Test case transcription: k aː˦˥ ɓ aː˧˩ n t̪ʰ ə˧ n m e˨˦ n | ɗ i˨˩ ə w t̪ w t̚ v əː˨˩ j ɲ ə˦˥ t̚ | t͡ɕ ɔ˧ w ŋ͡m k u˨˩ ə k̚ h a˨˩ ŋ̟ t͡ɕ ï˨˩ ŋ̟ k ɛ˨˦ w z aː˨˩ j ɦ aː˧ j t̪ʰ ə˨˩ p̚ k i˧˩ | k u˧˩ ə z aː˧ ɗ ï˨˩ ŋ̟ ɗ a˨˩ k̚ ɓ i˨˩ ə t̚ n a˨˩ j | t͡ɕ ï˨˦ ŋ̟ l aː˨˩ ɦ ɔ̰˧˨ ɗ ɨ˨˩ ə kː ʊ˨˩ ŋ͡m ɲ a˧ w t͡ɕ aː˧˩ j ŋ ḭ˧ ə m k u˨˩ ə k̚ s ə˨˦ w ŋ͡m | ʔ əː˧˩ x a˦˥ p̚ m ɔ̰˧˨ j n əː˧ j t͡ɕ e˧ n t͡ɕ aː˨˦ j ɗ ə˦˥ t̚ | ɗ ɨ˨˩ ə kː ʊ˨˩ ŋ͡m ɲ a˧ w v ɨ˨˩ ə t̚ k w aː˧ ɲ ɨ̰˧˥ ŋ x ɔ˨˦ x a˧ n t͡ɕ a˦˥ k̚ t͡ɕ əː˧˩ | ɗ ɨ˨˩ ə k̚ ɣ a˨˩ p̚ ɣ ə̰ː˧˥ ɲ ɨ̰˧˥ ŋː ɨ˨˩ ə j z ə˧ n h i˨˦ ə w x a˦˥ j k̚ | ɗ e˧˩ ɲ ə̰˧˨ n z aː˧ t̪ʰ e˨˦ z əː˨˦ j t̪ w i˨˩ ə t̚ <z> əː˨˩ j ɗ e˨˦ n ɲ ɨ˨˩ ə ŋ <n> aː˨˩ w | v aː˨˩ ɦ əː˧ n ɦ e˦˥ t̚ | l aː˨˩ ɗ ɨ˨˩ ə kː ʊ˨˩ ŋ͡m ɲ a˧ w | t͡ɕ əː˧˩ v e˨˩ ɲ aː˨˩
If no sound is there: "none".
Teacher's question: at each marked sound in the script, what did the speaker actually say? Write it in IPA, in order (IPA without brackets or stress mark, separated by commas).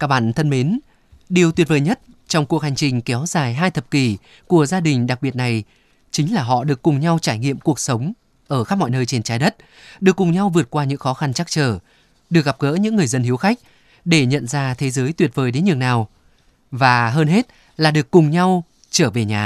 v, n